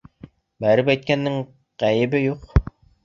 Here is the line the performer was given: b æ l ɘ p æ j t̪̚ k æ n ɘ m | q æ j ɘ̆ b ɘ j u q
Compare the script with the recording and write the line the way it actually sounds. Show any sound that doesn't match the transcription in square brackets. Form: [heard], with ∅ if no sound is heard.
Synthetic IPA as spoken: b æ [ɾ] ɘ p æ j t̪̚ k æ [nː] ɘ [ŋ] | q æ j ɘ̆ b ɘ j u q

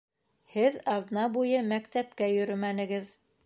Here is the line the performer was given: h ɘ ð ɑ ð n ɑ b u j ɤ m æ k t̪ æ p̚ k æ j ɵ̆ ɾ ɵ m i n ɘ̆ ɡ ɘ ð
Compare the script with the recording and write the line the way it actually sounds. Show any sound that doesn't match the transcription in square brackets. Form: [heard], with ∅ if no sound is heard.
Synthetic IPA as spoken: h ɘ ð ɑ ð n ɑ b u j ɤ m æ k t̪ æ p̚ k æ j ɵ̆ ɾ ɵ m [æ] n ɘ̆ ɡ ɘ ð

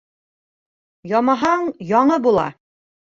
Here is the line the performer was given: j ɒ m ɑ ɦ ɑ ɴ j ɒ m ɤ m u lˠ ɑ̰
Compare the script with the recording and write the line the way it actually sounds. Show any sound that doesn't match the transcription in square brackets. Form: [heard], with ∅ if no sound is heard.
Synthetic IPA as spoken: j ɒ m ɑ ɦ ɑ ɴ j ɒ [ɴ] ɤ [b] u lˠ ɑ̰

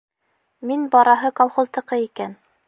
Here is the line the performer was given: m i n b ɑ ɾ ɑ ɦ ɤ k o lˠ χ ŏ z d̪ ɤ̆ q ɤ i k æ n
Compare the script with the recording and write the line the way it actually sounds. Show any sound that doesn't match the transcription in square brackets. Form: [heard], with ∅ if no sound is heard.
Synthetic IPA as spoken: m i n b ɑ ɾ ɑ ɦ ɤ k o lˠ χ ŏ z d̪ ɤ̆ q ɤ i k æ n

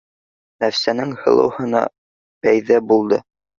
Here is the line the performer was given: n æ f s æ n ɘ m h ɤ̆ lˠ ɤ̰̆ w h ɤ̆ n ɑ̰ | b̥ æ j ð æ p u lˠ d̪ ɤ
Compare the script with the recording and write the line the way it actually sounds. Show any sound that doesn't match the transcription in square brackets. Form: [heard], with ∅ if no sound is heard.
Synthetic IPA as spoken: n æ f s æ n ɘ [ŋ] h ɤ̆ lˠ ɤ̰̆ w h ɤ̆ n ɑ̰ | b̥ æ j ð æ [b] u lˠ d̪ ɤ

